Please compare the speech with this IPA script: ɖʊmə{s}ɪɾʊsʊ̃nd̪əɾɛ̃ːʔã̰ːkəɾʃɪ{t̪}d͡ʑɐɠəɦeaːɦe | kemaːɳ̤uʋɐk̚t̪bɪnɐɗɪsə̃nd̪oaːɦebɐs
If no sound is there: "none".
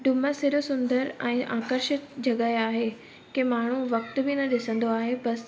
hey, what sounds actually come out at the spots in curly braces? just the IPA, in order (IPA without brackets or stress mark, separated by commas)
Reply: s, t̪